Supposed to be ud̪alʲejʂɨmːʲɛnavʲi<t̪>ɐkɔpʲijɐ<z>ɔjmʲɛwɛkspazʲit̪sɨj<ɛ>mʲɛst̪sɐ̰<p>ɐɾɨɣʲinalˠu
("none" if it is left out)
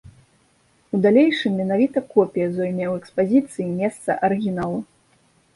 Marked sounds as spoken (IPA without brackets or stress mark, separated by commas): t̪, z, i, ʔ